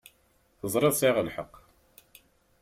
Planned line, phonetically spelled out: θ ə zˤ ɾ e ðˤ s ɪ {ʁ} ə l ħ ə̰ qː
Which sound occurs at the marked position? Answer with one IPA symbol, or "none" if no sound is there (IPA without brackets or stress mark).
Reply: ʁ